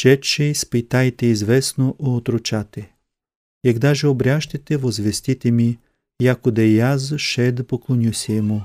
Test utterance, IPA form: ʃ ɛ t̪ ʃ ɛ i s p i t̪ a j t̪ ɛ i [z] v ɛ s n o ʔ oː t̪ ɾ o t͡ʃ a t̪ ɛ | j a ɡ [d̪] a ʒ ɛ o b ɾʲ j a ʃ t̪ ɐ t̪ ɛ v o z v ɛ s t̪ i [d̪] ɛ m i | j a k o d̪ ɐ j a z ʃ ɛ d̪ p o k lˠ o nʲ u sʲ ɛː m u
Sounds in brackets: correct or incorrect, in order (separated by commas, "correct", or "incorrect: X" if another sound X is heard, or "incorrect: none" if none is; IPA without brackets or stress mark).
correct, correct, incorrect: t̪